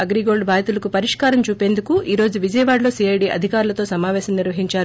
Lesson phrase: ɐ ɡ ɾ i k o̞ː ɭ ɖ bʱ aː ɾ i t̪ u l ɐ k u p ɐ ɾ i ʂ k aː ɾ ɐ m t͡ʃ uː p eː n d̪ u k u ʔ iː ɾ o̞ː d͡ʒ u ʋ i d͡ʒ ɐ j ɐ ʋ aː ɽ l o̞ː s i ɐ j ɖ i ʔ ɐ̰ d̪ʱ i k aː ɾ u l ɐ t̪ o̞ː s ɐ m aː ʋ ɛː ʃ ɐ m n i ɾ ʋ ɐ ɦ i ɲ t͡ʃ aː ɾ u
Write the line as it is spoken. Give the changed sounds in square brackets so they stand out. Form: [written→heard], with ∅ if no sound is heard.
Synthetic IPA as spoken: ɐ ɡ ɾ i [k→ɡ] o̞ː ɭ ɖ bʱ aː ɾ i t̪ u l ɐ k u p ɐ ɾ i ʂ k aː ɾ ɐ m t͡ʃ uː p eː n d̪ u k u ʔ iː ɾ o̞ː d͡ʒ u ʋ i d͡ʒ ɐ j ɐ ʋ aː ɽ l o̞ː s i ɐ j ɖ i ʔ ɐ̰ d̪ʱ i k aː ɾ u l ɐ t̪ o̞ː s ɐ m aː ʋ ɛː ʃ ɐ m n i ɾ ʋ ɐ ɦ i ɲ t͡ʃ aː ɾ u